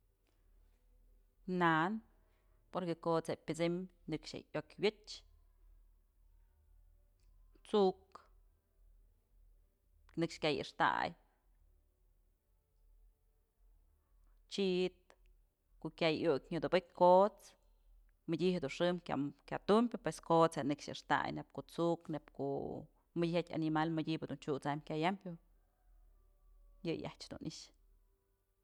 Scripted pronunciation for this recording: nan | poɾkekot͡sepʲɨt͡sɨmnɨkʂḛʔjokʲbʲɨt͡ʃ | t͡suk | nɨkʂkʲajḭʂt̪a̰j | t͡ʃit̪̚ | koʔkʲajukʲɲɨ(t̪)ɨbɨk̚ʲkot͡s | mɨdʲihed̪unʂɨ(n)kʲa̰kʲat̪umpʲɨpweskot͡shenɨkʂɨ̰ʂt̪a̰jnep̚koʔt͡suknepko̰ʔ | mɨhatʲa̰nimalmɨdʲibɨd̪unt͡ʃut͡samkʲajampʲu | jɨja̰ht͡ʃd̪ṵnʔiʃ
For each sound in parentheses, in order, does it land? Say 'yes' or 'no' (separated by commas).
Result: no, no